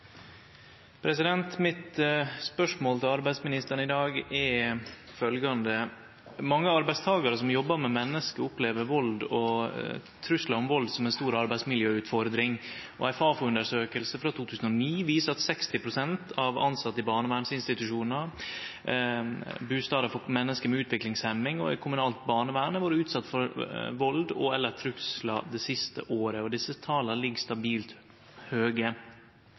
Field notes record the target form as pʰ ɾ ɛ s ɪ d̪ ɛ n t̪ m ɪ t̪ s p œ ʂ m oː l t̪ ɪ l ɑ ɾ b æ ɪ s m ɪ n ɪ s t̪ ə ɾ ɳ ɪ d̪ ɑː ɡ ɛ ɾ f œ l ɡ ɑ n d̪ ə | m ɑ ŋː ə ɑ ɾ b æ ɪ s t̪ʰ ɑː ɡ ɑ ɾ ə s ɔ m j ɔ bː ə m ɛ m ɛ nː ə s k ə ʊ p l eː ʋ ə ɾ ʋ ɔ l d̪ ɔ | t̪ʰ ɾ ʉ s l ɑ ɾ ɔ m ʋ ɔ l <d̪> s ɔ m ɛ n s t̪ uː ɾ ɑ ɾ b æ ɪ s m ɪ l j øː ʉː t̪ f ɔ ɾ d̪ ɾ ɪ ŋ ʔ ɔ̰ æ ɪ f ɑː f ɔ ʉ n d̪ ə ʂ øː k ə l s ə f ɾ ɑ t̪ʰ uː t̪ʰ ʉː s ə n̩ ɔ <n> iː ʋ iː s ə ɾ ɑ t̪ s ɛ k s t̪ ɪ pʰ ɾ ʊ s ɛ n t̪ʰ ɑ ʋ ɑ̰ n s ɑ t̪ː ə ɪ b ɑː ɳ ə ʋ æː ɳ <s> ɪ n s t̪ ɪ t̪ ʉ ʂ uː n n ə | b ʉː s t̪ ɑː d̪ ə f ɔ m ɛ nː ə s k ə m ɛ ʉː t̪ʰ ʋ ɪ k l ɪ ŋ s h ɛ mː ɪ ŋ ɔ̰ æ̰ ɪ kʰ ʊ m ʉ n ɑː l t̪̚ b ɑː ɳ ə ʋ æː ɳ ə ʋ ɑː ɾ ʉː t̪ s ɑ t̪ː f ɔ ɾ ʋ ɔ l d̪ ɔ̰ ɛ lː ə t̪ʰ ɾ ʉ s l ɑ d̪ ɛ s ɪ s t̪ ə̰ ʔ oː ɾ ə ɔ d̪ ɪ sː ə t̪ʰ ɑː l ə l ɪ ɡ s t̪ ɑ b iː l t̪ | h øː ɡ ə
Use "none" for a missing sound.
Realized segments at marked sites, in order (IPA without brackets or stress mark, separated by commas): d̪, n, s